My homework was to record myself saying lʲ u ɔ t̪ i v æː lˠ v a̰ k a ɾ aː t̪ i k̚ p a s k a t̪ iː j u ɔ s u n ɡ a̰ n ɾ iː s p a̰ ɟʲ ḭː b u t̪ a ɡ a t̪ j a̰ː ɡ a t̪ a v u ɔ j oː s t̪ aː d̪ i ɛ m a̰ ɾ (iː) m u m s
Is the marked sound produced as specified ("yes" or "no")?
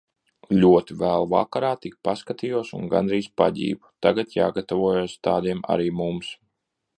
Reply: yes